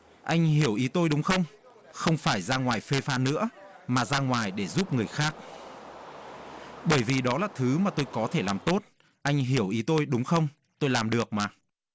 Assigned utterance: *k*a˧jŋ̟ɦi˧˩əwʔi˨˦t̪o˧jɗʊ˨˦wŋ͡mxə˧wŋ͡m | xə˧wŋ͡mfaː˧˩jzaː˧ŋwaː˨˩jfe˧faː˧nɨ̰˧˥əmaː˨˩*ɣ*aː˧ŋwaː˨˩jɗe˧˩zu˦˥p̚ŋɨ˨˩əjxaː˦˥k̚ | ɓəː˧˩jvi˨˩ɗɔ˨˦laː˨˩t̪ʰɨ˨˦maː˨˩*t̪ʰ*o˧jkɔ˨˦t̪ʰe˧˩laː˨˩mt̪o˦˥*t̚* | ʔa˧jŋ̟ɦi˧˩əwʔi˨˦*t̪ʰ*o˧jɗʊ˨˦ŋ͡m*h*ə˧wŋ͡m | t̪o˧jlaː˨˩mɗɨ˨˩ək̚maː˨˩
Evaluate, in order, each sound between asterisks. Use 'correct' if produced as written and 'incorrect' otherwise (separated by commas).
incorrect, incorrect, incorrect, correct, incorrect, incorrect